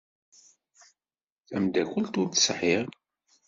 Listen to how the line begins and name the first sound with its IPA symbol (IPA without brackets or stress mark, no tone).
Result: θ